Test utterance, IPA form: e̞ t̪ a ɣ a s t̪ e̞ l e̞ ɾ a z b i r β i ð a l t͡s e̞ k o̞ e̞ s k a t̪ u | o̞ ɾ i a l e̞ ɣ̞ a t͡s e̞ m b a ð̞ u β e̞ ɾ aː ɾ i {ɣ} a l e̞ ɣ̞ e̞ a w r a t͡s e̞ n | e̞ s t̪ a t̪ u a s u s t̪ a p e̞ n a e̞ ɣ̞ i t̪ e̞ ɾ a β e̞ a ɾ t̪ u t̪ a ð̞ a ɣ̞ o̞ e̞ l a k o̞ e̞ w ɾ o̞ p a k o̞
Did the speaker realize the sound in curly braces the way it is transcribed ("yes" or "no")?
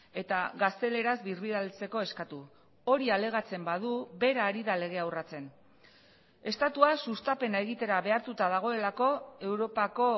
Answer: no